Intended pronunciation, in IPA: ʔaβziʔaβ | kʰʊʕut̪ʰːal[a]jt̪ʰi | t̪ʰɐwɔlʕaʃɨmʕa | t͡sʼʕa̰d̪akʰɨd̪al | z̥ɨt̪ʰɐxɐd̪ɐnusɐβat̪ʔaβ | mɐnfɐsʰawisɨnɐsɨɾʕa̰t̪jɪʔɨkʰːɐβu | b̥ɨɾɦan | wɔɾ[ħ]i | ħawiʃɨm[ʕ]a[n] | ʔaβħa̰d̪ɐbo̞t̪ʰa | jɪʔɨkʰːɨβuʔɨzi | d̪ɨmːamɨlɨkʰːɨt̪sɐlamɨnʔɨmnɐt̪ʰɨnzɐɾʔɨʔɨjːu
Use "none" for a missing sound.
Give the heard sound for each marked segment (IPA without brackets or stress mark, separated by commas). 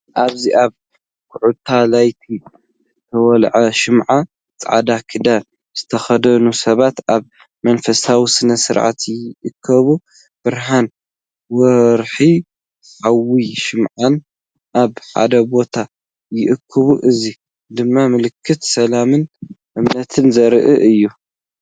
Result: a, ħ, ʕ, n